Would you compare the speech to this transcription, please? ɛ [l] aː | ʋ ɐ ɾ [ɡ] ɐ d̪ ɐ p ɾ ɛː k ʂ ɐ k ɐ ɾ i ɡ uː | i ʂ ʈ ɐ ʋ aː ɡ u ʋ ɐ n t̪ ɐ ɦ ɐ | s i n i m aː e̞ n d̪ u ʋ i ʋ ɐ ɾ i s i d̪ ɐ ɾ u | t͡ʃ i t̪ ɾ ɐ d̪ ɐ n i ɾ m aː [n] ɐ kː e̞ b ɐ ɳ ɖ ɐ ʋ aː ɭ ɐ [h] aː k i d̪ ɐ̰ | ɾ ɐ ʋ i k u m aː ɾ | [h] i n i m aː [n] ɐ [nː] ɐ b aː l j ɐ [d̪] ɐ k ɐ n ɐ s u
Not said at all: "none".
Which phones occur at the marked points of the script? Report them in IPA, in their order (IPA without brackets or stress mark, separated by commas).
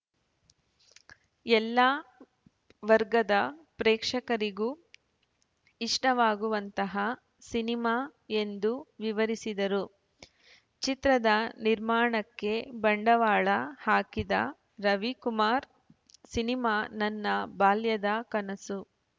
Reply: lː, ɡ, ɳ, h, s, n, nː, d̪